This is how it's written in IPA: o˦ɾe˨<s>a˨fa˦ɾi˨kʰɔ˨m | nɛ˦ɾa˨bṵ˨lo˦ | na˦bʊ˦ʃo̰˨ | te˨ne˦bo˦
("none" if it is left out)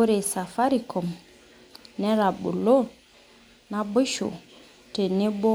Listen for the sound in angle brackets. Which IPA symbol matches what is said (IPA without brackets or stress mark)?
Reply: s